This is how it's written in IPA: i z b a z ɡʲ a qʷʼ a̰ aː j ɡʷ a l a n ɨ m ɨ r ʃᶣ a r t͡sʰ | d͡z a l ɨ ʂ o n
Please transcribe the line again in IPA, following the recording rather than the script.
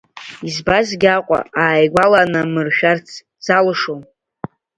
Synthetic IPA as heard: i z b a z ɡʲ a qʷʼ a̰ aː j ɡʷ a l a n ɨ m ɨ r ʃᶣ a r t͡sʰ | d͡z a l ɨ ʂ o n